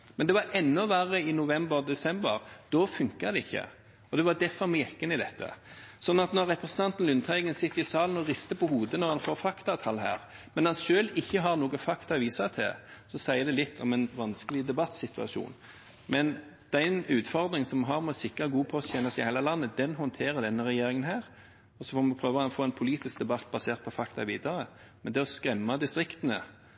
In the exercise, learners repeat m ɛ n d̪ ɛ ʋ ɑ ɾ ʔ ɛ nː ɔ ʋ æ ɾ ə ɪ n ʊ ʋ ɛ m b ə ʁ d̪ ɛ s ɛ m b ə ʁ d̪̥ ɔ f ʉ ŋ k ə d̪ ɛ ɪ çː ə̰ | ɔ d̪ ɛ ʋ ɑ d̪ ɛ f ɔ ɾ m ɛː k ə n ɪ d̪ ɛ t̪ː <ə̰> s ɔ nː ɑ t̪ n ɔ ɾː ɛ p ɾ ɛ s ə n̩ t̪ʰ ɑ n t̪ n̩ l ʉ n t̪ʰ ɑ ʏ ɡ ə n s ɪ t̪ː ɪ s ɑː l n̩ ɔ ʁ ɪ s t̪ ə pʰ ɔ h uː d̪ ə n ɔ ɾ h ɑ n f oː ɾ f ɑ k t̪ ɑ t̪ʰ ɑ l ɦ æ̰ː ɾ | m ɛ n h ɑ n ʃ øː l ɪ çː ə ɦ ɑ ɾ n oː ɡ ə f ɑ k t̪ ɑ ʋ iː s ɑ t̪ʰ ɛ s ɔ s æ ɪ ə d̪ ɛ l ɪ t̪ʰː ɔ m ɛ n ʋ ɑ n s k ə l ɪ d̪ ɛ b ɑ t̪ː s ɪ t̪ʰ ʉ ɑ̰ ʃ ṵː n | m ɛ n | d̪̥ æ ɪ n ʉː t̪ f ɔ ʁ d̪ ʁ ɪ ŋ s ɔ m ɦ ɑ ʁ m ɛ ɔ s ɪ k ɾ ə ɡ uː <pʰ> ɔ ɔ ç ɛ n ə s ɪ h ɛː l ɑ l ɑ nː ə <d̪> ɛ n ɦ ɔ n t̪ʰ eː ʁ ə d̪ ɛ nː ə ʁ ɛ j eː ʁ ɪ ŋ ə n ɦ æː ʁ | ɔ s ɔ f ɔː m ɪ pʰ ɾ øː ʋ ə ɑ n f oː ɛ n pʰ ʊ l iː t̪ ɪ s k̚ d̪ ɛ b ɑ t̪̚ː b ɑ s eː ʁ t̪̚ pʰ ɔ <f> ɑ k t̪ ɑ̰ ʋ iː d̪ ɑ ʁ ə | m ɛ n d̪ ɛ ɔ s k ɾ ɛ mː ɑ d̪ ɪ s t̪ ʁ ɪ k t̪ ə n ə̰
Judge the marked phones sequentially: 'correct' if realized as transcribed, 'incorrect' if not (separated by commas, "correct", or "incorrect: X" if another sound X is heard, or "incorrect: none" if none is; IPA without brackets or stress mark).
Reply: correct, correct, correct, correct